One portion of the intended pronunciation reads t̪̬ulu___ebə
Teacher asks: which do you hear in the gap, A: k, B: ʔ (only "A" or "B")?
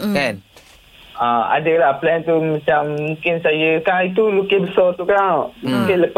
A